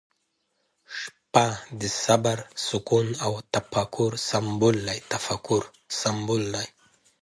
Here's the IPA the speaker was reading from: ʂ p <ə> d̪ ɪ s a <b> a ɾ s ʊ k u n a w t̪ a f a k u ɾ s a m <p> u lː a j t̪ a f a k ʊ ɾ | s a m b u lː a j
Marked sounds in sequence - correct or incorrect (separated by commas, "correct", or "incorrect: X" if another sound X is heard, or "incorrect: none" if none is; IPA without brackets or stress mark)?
incorrect: a, correct, incorrect: b